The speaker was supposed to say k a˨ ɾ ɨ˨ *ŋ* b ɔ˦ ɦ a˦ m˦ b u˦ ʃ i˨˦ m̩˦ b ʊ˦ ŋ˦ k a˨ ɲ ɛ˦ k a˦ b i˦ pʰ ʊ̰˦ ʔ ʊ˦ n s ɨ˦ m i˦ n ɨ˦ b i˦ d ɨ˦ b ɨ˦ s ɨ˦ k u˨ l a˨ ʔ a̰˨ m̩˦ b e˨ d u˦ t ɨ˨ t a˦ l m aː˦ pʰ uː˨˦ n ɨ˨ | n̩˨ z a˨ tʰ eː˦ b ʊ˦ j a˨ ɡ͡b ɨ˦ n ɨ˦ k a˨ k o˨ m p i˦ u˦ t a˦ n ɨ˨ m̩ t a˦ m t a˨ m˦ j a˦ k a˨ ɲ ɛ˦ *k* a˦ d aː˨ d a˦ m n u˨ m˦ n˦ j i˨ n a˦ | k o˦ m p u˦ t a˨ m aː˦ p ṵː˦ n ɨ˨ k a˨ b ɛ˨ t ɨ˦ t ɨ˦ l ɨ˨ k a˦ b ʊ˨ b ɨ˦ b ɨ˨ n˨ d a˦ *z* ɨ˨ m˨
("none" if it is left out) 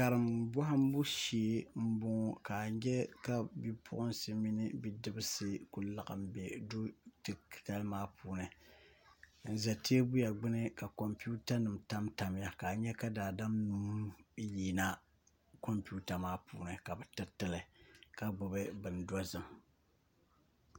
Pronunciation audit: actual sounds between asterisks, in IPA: m, k, z

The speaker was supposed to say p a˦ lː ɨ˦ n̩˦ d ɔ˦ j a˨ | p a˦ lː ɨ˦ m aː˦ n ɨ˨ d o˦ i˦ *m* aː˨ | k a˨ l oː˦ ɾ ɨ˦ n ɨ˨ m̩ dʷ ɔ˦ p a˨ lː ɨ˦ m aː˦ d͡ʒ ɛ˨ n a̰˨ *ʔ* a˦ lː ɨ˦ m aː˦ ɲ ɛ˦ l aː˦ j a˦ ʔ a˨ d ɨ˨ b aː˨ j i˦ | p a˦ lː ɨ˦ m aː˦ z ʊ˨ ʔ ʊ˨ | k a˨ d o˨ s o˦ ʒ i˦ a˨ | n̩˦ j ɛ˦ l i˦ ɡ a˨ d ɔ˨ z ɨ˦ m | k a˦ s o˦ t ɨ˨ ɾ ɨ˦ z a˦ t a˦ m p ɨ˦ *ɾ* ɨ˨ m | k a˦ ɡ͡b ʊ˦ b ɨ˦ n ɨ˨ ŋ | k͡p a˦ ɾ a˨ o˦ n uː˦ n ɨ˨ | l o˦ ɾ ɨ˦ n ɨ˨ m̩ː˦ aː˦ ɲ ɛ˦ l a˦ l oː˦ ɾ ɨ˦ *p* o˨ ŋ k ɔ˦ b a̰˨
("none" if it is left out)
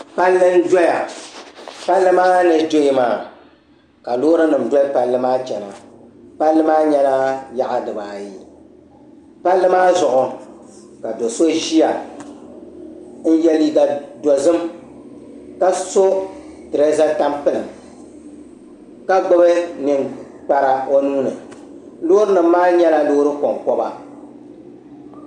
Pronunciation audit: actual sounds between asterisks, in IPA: m, p, l, k

